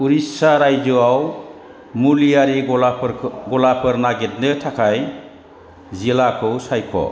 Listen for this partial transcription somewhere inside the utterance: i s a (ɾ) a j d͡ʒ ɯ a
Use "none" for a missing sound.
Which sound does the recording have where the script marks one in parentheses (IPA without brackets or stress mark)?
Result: ɾ